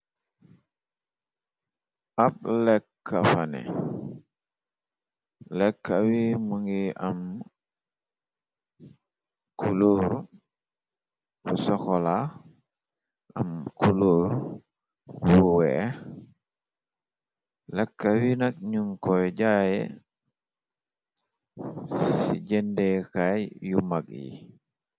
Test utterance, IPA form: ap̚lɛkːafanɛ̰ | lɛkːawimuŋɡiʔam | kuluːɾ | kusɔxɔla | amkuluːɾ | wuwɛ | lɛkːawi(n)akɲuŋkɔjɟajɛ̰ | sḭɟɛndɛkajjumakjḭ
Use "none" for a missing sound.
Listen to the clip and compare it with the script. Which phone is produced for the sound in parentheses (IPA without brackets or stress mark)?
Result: n